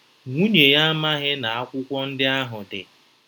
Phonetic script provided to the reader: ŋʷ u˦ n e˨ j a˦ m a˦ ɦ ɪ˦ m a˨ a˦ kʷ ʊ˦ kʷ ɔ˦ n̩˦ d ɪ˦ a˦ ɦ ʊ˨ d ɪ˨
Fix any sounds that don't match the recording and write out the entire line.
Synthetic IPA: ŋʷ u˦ ɲ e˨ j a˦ m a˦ ɦ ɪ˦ n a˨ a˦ kʷ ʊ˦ kʷ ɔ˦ n̩˦ d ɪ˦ a˦ ɦ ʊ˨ d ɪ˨

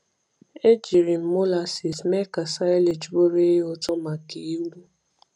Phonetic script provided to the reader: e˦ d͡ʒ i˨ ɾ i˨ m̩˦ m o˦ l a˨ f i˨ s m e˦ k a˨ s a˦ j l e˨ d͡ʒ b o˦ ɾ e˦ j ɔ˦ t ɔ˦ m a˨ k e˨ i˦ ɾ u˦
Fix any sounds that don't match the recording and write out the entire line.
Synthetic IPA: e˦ d͡ʒ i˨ ɾ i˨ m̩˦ m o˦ l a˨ s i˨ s m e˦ k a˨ s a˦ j l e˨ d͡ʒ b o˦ ɾ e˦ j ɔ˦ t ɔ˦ m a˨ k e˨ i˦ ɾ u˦

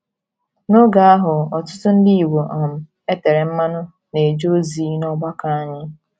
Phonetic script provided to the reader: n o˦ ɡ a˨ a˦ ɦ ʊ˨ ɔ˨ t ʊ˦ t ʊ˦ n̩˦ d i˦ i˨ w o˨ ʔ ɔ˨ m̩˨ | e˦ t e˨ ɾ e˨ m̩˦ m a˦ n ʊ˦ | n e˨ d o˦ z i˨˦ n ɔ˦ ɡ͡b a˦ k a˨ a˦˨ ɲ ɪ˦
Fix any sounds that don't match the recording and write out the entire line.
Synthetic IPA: n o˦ ɡ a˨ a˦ ɦ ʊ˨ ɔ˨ t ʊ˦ t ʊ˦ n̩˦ d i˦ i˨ w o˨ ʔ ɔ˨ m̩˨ | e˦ t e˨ ɾ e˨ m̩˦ m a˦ n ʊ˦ | n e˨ d͡ʒ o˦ z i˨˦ n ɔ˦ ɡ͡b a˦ k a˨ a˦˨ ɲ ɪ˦

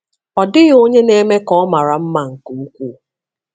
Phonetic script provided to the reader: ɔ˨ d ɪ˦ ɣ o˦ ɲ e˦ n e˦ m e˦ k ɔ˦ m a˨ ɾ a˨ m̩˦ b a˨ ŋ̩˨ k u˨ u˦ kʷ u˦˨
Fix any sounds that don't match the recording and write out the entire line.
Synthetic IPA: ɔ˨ d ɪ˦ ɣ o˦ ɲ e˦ n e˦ m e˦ k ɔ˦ m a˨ ɾ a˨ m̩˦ m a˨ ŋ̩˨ k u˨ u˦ kʷ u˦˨

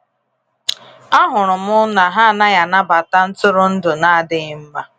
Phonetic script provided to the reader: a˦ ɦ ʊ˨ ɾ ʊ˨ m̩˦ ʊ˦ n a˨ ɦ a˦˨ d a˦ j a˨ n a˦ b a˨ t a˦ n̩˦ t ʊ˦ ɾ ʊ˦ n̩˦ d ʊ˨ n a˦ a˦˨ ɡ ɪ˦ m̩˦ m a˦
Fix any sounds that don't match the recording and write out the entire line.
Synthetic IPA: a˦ ɦ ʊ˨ ɾ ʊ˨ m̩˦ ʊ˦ n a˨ ɦ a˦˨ n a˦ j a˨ n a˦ b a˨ t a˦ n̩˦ t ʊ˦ ɾ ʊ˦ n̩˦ d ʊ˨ n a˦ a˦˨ d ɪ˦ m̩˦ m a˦

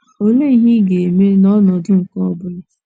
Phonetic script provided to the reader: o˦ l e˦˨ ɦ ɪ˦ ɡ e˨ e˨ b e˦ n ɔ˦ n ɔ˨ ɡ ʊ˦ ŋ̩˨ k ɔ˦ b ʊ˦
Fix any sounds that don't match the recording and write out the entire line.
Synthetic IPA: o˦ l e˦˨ ɦ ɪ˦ ɡ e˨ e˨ m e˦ n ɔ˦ n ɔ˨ d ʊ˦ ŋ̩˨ k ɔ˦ b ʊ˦

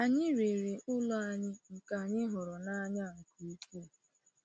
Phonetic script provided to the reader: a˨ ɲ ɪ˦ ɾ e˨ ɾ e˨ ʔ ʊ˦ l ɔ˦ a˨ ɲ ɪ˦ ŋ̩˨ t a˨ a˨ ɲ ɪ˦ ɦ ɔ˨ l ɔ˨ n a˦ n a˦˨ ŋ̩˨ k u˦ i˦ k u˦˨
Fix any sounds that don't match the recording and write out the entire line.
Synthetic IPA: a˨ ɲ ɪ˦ ɾ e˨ ɾ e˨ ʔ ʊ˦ l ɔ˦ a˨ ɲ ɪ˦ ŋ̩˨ k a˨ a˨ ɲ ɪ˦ ɦ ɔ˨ ɾ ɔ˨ n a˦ ɲ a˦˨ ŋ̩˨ k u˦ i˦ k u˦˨

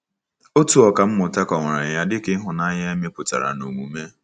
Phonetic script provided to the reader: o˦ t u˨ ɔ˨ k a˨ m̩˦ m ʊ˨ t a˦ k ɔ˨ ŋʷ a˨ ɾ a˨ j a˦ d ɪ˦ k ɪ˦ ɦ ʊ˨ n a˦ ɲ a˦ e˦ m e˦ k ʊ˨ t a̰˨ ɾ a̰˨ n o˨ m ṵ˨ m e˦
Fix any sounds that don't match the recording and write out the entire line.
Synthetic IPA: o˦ t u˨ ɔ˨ k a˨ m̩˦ m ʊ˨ t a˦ k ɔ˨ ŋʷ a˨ ɾ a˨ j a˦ d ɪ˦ k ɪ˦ ɦ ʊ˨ n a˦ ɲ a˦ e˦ m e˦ p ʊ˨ t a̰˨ ɾ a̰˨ n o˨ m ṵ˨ m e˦

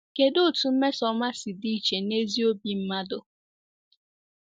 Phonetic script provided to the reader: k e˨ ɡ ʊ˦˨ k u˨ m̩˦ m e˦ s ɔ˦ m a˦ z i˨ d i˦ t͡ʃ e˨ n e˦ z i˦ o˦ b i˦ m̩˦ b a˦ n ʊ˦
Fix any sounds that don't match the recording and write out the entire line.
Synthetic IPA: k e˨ d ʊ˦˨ t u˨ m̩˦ m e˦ s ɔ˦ m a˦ s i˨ d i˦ t͡ʃ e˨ n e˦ z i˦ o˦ b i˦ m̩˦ m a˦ d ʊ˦

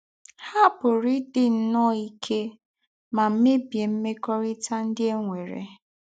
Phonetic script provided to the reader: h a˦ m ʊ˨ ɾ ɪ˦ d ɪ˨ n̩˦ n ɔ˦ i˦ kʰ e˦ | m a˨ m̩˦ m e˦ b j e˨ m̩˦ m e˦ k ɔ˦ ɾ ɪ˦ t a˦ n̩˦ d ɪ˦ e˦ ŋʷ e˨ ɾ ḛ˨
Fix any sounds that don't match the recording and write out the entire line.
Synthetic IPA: h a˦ b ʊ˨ ɾ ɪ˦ d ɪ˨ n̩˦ n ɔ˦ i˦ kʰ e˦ | m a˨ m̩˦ m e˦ b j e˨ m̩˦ m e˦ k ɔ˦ ɾ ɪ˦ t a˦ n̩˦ d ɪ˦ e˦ ŋʷ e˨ ɾ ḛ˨

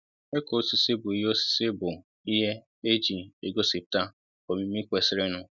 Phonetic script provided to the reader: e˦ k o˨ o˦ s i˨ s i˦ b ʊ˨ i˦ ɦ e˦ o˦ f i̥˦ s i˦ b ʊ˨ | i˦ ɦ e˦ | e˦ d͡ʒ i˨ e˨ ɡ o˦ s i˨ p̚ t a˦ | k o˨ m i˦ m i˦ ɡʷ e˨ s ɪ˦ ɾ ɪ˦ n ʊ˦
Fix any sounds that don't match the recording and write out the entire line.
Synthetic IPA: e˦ k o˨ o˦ s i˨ s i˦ b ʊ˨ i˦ ɦ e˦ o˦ s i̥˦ s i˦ b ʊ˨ | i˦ ɦ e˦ | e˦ d͡ʒ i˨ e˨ ɡ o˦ s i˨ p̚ t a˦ | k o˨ m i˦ m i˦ kʷ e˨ s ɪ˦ ɾ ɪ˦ n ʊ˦

